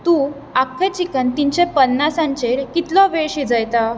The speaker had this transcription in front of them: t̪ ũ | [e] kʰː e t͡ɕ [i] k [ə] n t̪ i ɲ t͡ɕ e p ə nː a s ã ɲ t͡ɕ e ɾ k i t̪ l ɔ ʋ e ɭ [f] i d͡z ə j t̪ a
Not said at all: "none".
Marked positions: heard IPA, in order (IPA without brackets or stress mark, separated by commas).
a, i, ə, ɕ